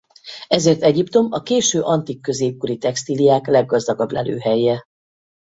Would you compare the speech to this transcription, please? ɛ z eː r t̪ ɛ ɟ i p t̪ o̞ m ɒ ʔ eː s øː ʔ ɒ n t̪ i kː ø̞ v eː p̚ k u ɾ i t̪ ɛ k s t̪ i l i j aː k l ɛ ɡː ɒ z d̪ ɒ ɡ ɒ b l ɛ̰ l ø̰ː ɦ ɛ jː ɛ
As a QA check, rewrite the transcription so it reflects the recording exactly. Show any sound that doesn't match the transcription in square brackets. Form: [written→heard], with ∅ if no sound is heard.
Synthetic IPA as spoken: ɛ z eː r t̪ ɛ ɟ i p t̪ o̞ m ɒ [ʔ→k] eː [s→ʃ] øː ʔ ɒ n t̪ i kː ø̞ [v→z] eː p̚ k u ɾ i t̪ ɛ k s t̪ i l i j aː k l ɛ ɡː ɒ z d̪ ɒ ɡ ɒ b l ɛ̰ l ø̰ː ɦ ɛ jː ɛ